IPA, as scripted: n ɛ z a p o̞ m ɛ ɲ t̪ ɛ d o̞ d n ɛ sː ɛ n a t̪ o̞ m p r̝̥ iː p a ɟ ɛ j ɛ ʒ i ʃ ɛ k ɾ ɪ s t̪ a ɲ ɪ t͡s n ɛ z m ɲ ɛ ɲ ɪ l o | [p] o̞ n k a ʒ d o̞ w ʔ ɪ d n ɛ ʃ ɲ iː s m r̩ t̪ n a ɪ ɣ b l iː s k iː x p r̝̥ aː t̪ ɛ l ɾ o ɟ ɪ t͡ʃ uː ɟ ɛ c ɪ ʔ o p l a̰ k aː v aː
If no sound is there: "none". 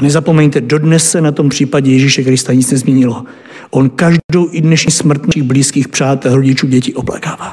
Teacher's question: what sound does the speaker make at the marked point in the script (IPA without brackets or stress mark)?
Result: ʔ